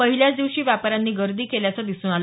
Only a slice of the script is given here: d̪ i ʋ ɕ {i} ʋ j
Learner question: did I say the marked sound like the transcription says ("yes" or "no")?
no